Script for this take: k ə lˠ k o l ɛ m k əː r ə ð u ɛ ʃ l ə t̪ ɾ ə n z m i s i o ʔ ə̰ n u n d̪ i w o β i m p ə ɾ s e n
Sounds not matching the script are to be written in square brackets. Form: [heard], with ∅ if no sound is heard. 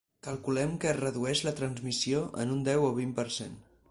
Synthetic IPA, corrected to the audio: k ə lˠ k [u] l ɛ m k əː r ə ð u ɛ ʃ l ə t̪ ɾ ə n z m i s i o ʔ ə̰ n u n d̪ [ɛ] w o β i m p ə ɾ s e n